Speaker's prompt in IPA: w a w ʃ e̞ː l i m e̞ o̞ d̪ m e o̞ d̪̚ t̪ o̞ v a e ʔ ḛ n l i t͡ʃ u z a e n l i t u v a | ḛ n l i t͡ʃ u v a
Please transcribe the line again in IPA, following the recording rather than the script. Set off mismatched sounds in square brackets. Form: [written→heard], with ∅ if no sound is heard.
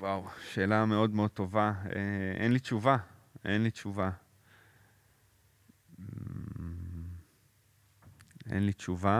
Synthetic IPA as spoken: w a w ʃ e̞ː l [i→a] m e̞ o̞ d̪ m e o̞ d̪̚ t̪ o̞ v a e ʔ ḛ n l i t͡ʃ u [z→v] a e n l i [t→t͡ʃ] u v a | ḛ n l i t͡ʃ u v a